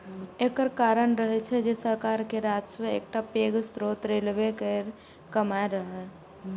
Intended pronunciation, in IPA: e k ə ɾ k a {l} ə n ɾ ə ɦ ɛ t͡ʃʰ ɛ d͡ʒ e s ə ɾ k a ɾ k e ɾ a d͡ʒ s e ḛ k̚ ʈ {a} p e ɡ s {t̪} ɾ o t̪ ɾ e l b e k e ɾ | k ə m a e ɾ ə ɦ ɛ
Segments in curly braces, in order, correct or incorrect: incorrect: ɾ, correct, correct

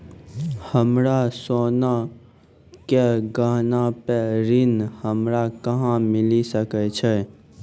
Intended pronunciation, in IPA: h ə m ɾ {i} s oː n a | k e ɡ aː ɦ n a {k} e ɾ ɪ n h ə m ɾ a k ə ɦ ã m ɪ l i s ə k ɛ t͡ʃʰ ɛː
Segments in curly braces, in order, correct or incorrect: incorrect: a, incorrect: p

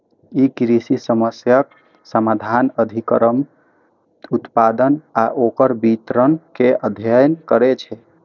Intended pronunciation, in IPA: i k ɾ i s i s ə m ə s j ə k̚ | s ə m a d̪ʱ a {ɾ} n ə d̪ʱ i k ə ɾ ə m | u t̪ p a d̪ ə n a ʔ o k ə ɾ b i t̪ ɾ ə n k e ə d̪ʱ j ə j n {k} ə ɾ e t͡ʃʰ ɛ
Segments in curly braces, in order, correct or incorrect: incorrect: none, correct

